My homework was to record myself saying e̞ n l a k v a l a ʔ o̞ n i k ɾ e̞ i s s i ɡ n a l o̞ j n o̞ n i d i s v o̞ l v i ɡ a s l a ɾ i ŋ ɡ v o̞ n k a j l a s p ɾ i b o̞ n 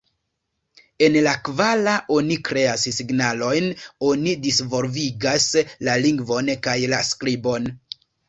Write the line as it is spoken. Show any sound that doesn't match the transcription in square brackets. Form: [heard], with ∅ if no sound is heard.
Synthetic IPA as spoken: e̞ n l a k v a l a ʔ o̞ n i k ɾ e̞ [a] s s i ɡ n a l o̞ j n o̞ n i d i s v o̞ l v i ɡ a s l a [l] i ŋ ɡ v o̞ n k a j l a s [k] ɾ i b o̞ n